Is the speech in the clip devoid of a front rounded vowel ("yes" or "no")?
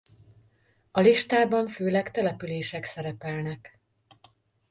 no